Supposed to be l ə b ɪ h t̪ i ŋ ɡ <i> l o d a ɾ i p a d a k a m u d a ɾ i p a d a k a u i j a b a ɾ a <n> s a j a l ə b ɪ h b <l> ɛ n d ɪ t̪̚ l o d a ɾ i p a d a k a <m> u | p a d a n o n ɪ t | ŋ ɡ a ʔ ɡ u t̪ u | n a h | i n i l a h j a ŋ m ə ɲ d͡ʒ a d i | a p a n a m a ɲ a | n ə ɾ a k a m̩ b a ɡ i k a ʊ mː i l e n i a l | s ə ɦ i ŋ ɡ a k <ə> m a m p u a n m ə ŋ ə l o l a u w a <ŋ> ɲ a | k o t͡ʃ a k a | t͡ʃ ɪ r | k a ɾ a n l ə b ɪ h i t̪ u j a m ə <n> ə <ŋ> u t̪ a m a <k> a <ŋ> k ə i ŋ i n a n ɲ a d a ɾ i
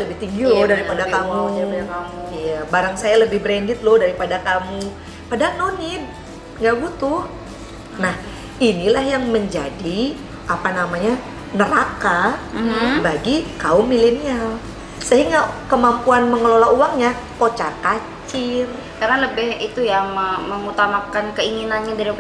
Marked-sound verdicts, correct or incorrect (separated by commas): correct, incorrect, incorrect, correct, correct, correct, incorrect, correct, correct, incorrect